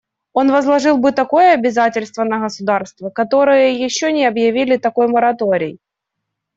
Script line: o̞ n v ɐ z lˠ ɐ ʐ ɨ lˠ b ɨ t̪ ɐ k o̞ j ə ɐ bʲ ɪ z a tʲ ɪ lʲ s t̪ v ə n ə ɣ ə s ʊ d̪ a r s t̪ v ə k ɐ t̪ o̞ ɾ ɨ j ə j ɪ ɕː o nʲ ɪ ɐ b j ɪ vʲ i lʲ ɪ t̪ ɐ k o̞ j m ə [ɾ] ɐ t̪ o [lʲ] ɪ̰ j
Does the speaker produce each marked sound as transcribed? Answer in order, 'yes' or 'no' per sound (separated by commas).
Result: yes, no